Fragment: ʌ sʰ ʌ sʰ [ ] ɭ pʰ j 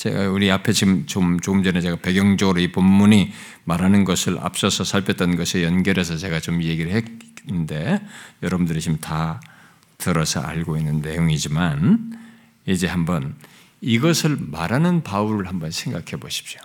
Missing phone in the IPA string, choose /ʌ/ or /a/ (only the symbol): a